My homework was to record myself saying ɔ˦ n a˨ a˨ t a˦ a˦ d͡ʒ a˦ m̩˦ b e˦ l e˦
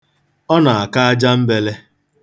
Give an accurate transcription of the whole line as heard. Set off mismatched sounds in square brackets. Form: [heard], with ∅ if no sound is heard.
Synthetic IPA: ɔ˦ n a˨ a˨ [k] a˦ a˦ d͡ʒ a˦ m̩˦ b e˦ l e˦

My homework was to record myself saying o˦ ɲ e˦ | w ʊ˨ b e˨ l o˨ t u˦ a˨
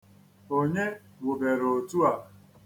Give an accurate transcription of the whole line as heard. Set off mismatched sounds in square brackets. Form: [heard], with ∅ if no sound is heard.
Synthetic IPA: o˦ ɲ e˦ | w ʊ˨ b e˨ [ɾ] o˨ t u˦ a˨

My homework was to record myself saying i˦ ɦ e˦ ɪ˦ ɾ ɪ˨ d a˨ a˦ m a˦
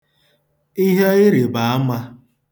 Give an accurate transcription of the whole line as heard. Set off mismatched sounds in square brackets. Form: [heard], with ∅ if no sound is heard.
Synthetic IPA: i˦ ɦ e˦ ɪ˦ ɾ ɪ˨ [b] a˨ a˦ m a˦

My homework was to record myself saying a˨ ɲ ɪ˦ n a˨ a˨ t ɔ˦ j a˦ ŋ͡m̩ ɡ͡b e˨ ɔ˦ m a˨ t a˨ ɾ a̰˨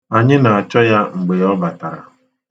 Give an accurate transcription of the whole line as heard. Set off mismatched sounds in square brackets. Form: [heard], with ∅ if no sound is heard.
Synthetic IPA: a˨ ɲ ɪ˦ n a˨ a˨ [t͡ʃ] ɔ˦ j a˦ ŋ͡m̩ ɡ͡b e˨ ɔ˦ [b] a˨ t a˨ ɾ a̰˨

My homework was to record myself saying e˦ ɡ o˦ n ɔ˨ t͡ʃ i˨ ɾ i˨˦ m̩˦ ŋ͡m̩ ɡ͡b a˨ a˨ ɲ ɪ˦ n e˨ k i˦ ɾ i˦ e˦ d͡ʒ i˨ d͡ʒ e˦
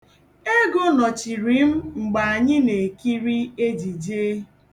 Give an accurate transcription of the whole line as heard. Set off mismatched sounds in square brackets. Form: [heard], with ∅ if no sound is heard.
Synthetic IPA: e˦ ɡ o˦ n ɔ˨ t͡ʃ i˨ ɾ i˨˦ m̩˦ ŋ͡m̩ ɡ͡b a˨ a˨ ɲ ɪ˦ n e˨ k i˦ ɾ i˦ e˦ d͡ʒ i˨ d͡ʒ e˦

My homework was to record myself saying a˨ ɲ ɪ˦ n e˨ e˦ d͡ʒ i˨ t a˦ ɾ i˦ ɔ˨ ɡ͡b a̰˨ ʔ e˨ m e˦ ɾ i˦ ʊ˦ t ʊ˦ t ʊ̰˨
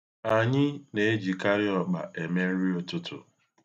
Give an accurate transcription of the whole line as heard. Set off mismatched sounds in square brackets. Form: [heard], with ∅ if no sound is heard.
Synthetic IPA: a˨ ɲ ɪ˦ n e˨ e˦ d͡ʒ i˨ [k] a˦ ɾ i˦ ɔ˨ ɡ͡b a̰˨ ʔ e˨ m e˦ ɾ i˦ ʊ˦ t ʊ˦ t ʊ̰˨

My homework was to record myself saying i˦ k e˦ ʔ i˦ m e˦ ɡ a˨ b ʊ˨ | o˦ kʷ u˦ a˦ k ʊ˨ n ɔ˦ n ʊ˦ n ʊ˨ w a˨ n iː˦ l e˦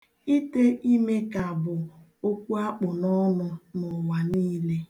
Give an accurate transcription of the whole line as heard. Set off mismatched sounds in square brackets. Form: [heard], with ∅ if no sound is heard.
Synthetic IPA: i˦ [t] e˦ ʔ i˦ m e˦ [k] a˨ b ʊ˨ | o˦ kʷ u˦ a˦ [k͡p] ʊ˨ n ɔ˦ n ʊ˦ n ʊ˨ w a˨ n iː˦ l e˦

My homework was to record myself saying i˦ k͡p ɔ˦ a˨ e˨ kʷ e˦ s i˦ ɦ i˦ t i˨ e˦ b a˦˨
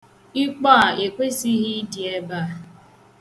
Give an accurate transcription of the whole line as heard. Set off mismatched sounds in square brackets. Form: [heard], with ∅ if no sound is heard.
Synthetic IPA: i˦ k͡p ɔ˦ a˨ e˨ kʷ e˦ s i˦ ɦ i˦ [d] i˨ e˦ b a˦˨

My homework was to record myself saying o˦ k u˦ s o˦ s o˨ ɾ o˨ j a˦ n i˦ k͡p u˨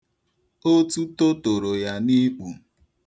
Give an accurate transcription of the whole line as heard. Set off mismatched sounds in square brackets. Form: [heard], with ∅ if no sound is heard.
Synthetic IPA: o˦ [t] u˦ [t] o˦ [t] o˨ ɾ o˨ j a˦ n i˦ k͡p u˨

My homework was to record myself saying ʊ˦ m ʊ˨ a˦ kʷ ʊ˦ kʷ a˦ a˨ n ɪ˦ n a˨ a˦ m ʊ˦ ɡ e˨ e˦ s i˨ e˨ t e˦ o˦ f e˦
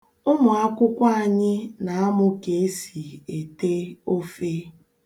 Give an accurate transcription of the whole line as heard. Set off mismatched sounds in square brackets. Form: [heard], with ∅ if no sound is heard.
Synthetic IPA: ʊ˦ m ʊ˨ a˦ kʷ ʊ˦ kʷ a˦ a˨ [ɲ] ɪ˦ n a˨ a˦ m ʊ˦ [k] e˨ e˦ s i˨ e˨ t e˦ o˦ f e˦

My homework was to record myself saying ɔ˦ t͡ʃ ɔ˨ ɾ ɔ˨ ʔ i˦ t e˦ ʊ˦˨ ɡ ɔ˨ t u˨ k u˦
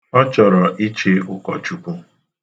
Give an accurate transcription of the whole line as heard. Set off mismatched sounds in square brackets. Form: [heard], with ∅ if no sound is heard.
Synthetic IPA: ɔ˦ t͡ʃ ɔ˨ ɾ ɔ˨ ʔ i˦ [t͡ʃ] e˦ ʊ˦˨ [k] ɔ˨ [t͡ʃ] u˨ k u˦

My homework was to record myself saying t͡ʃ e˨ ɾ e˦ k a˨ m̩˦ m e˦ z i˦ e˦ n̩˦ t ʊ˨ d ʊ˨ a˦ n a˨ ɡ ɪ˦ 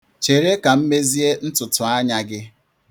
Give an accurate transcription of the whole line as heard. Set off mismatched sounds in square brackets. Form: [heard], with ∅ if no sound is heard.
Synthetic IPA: t͡ʃ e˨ ɾ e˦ k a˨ m̩˦ m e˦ z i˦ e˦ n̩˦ t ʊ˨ [t] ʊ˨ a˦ [ɲ] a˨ ɡ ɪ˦

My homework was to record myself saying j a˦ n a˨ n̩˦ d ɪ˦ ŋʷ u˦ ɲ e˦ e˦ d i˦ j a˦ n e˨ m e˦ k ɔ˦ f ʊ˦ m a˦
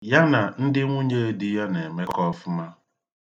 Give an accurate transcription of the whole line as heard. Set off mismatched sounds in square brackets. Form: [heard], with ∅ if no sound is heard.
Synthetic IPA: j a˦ n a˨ n̩˦ d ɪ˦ ŋʷ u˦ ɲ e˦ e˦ d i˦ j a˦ n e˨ m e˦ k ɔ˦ f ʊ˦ m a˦

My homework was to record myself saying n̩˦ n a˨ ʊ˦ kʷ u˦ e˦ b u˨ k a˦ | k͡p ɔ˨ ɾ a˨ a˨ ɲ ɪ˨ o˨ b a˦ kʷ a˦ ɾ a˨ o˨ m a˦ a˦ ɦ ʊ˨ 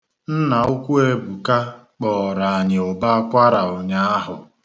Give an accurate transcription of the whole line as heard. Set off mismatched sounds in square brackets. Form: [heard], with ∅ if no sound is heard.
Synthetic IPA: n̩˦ n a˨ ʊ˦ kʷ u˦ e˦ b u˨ k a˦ | k͡p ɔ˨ ɾ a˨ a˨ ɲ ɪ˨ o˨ b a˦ kʷ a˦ ɾ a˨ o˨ [ɲ] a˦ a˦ ɦ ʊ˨

